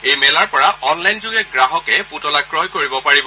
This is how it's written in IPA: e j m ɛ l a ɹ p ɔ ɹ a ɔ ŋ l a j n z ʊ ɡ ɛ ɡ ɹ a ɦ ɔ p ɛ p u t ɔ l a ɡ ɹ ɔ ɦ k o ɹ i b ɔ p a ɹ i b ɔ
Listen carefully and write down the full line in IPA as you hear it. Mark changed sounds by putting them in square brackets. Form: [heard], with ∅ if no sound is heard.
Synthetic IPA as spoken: e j m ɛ l a ɹ p ɔ ɹ a ɔ [n] l a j n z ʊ ɡ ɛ ɡ ɹ a ɦ ɔ [k] ɛ p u t ɔ l a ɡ ɹ ɔ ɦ k o ɹ i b ɔ p a ɹ i b ɔ

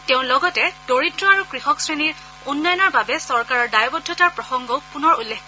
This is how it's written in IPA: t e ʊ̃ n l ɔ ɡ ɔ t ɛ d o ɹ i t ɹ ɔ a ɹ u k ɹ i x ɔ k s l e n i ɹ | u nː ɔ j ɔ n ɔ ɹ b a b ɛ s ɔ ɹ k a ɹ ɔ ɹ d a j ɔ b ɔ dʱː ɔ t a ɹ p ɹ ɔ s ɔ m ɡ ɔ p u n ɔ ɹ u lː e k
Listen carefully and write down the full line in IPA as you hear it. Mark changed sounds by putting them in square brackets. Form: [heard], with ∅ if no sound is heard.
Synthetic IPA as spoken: t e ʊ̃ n l ɔ ɡ ɔ t ɛ d o ɹ i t ɹ ɔ a ɹ u k ɹ i x ɔ k s [ɹ] e n i ɹ | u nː ɔ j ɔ n ɔ ɹ b a b ɛ s ɔ ɹ k a ɹ ɔ ɹ d a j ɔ b ɔ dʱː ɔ t a ɹ p ɹ ɔ [x] ɔ [ŋ] ɡ ɔ p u n ɔ ɹ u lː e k

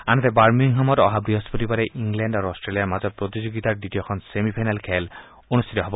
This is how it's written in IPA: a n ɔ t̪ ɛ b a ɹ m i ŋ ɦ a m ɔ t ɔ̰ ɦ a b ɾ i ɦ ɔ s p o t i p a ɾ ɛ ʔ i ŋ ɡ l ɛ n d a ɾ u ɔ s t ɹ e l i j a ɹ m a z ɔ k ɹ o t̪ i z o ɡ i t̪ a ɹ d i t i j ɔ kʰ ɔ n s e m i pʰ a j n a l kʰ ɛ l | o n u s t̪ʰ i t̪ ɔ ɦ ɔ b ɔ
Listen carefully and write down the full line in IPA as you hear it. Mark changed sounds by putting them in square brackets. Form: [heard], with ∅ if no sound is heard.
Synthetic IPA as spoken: a n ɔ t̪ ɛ b a ɹ m i ŋ ɦ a m ɔ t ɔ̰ ɦ a b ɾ i ɦ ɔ s p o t i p a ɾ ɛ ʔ i ŋ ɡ l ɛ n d a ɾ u ɔ s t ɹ e l i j a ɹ m a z ɔ [p] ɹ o t̪ i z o ɡ i t̪ a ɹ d i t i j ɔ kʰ ɔ n s e m i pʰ a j n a l kʰ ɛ l | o n u s t̪ʰ i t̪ ɔ ɦ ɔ b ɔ

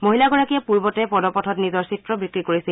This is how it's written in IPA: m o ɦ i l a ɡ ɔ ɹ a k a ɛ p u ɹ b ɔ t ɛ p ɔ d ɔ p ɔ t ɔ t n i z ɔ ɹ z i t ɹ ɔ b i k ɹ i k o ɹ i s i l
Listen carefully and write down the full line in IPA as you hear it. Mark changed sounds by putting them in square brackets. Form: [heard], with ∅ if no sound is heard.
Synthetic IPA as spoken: m o ɦ i l a ɡ ɔ ɹ a k [i] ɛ p u ɹ b ɔ t ɛ p ɔ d ɔ p ɔ [tʰ] ɔ t n i z ɔ ɹ [s] i t ɹ ɔ b i k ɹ i k o ɹ i s i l

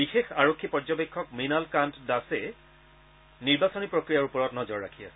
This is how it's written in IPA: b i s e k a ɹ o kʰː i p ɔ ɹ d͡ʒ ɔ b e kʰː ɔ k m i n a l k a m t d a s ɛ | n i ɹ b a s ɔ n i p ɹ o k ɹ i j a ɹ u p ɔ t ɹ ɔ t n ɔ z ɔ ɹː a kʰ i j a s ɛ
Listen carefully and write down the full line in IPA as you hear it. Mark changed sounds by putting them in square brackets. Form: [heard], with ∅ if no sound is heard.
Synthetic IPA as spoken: b i [x] e [x] a ɹ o kʰː i p ɔ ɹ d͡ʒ ɔ b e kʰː ɔ k m i n a l k a [n] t d a s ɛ | n i ɹ b a s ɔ n i p ɹ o k ɹ i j a ɹ u p ɔ [∅] ɹ ɔ t n ɔ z ɔ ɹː a kʰ i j a s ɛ

